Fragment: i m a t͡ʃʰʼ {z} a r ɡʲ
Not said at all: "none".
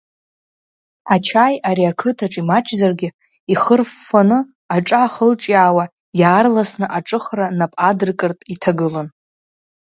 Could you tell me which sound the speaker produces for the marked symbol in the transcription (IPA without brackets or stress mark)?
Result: z